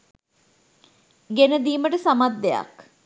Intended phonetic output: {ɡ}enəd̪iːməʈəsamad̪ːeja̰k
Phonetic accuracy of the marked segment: correct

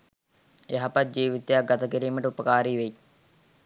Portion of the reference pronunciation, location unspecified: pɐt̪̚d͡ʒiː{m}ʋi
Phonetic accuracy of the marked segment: incorrect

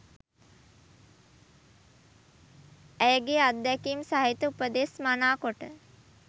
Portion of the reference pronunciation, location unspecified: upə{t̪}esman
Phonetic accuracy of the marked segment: incorrect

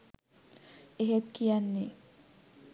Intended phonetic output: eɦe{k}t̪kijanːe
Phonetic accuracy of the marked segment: incorrect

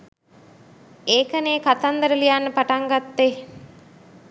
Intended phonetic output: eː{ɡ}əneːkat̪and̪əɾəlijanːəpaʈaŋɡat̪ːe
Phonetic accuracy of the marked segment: incorrect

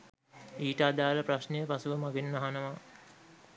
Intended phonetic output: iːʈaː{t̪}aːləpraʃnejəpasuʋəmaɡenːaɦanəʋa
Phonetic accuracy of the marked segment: incorrect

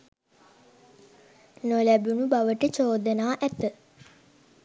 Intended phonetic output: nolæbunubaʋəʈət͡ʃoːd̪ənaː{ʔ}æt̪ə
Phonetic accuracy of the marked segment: correct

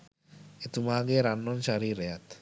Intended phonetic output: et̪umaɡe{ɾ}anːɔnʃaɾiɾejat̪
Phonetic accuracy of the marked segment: correct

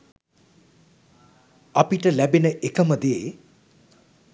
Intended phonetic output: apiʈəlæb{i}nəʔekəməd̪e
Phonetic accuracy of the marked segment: incorrect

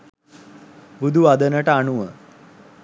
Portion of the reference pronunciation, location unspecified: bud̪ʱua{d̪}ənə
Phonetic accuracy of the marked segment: correct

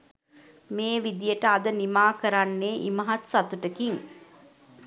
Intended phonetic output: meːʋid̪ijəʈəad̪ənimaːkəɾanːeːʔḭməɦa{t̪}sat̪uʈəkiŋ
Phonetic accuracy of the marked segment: correct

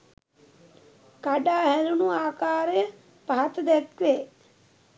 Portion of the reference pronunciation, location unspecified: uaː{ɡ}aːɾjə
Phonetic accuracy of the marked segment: incorrect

